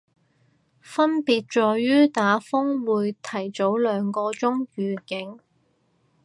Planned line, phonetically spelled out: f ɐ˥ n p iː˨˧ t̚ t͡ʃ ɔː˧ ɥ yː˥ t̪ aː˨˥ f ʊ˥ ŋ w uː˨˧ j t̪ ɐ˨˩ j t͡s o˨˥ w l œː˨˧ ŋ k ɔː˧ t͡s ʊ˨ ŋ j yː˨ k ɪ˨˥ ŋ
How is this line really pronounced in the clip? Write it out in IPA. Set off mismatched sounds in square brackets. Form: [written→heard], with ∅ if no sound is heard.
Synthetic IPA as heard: f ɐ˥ n p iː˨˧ t̚ t͡ʃ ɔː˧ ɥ yː˥ t̪ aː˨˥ f ʊ˥ ŋ w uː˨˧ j [t̪→t̪ʰ] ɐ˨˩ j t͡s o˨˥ w l œː˨˧ ŋ k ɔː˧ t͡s [ʊ˨→ʊ˥] ŋ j yː˨ k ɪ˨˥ ŋ